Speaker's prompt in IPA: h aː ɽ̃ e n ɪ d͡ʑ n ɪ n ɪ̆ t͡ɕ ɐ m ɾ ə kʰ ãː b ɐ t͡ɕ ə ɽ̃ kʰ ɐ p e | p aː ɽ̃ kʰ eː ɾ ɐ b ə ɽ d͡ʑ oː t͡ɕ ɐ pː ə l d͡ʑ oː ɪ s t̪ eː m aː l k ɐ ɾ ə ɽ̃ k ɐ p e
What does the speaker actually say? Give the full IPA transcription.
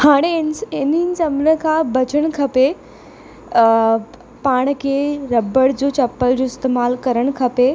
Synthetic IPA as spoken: h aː ɽ̃ e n ɪ n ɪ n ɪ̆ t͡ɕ ɐ m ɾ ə kʰ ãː b ɐ t͡ɕ ə ɽ̃ kʰ ɐ p e | p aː ɽ̃ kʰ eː ɾ ɐ b ə ɽ d͡ʑ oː t͡ɕ ɐ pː ə l d͡ʑ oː ɪ s t̪ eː m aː l k ɐ ɾ ə ɽ̃ kʰ ɐ p e